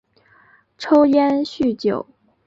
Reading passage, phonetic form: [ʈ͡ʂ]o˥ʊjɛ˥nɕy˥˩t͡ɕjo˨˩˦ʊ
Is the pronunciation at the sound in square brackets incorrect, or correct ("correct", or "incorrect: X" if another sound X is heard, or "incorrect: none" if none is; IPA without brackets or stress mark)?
incorrect: ʈ͡ʂʰ